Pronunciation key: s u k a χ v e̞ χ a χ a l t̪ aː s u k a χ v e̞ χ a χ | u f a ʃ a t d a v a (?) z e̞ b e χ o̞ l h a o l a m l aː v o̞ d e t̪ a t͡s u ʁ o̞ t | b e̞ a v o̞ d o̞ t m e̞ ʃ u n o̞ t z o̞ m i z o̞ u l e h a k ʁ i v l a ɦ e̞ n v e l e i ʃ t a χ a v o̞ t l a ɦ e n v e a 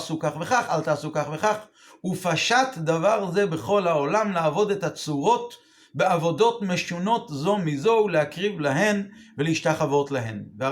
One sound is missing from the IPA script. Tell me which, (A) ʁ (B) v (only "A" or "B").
A